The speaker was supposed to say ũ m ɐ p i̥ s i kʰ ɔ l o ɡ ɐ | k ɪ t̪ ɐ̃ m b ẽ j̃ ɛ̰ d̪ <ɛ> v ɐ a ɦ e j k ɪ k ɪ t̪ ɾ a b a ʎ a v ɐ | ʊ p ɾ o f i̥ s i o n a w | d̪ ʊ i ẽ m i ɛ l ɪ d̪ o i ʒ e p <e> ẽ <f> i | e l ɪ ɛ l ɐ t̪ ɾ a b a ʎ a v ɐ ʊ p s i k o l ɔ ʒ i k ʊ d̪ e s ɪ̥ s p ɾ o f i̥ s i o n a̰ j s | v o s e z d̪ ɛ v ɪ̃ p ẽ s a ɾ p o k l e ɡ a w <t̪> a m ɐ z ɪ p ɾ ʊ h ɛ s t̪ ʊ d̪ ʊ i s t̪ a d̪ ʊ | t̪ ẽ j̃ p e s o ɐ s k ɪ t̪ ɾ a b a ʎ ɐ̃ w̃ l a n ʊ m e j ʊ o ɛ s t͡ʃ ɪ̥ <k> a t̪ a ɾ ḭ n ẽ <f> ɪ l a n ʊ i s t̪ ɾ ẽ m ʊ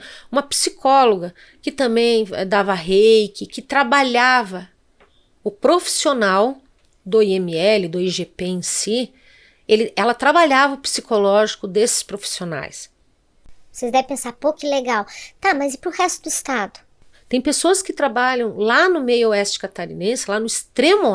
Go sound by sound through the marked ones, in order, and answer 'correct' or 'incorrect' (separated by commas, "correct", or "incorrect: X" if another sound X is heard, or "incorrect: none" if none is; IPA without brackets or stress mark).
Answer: incorrect: a, correct, incorrect: s, correct, correct, incorrect: s